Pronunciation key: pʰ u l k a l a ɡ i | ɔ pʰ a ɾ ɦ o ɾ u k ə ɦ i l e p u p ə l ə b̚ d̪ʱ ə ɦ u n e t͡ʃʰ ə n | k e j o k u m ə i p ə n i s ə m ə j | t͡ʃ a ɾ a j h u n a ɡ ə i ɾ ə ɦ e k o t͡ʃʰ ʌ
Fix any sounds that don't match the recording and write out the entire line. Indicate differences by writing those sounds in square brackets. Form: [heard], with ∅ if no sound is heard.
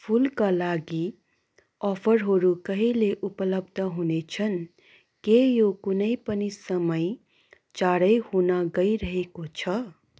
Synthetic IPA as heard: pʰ u l k a l a ɡ i | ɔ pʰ [ə] ɾ ɦ o ɾ u k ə ɦ i l e [ʔ] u p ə l ə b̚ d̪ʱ ə ɦ u n e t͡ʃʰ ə n | k e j o k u [n] ə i p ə n i s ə m ə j | t͡ʃ a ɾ [ə] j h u n a ɡ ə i ɾ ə ɦ e k o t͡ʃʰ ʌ